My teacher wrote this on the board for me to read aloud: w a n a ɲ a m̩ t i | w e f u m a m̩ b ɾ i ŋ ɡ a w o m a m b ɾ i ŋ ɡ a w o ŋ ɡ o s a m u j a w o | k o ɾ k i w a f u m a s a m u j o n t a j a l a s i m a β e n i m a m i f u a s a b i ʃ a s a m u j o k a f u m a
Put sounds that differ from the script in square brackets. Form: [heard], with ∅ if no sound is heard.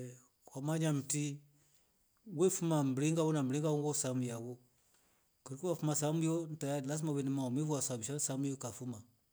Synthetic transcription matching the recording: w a [m] a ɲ a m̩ t i | w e f u m a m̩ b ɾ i ŋ ɡ a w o [n] a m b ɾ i ŋ ɡ a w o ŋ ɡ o s a m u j a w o | k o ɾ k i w a f u m a s a m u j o n t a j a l a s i m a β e n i m a m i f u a s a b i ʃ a s a m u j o k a f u m a

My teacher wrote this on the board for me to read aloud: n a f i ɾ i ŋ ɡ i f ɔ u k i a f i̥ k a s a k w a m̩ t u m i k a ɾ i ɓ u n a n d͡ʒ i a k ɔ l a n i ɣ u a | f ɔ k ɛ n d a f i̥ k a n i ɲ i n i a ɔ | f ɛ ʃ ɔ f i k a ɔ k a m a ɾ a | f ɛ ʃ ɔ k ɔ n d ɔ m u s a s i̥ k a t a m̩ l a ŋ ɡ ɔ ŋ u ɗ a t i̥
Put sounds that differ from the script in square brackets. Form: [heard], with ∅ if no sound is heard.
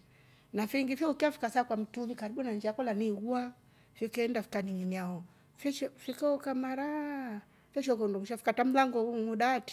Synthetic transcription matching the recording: n a f i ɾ i ŋ ɡ i f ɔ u k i a f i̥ k a s a k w a m̩ t u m i k a ɾ i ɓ u n a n d͡ʒ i a k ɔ l a n i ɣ u a | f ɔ k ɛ n d a f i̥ k a n i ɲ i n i a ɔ | f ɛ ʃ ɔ f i k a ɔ k a m a ɾ a | f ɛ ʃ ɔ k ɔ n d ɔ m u [ʃ] a [f] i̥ k a t a m̩ l a ŋ ɡ ɔ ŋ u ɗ a t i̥

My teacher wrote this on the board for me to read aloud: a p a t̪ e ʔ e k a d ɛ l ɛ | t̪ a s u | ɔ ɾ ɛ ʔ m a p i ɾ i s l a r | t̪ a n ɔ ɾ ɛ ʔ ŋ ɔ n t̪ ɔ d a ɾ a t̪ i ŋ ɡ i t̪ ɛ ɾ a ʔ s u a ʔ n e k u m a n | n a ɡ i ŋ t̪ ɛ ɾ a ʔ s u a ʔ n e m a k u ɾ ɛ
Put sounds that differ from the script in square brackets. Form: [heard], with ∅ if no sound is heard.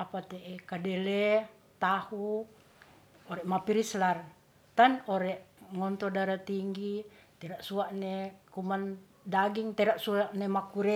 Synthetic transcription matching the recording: a p a t̪ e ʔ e k a d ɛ l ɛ | t̪ a [h] u | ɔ ɾ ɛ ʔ m a p i ɾ i s l a r | t̪ a n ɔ ɾ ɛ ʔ ŋ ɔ n t̪ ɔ d a ɾ a t̪ i ŋ ɡ i t̪ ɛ ɾ a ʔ s u a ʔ n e k u m a n | [d] a ɡ i ŋ t̪ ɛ ɾ a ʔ s u a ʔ n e m a k u ɾ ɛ

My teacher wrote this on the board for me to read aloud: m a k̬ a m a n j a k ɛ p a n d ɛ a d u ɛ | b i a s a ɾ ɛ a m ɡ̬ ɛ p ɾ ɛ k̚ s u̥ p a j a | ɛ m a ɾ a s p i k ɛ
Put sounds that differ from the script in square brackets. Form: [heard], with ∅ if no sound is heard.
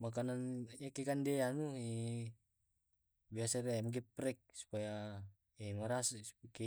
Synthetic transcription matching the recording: m a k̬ a [n] a n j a k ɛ [k] a n d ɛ a [n] u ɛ | b i a s a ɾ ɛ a m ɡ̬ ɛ p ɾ ɛ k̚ s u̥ p a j a | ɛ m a ɾ a s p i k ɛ

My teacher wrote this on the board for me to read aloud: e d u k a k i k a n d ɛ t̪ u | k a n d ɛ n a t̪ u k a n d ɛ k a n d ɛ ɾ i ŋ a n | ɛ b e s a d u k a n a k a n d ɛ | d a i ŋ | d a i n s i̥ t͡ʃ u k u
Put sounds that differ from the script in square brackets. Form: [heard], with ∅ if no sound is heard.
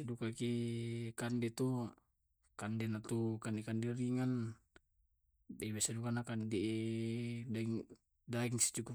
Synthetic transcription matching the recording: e d u k a k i k a n d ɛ t̪ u | k a n d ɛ n a t̪ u k a n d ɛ k a n d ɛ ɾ i ŋ a n | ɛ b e s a d u k a n a k a n d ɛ | d a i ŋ | d a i [ŋ] s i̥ t͡ʃ u k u

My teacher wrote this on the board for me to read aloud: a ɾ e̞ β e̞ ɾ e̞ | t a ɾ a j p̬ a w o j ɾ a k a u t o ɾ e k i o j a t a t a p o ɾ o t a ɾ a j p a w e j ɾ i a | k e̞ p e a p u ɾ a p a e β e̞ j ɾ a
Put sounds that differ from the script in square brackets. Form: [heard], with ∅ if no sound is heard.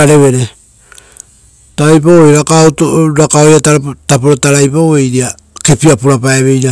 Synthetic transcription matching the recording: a ɾ e̞ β e̞ ɾ e̞ | t a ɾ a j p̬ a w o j ɾ a k a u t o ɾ [a] k [a] o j a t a t a p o ɾ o t a ɾ a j p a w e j ɾ i a | k e̞ p [i] a p u ɾ a p a e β e̞ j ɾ a

